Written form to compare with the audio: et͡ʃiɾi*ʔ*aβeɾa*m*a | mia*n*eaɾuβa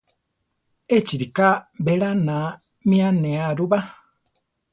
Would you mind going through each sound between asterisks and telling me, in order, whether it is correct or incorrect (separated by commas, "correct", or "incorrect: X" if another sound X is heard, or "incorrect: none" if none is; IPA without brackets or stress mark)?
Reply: incorrect: k, incorrect: n, correct